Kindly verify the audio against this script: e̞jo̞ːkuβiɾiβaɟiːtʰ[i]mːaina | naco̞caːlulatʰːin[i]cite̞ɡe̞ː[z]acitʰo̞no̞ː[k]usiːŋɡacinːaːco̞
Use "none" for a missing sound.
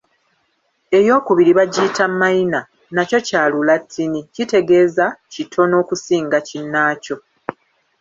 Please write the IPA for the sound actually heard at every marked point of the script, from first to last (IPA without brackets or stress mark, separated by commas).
a, i, z, k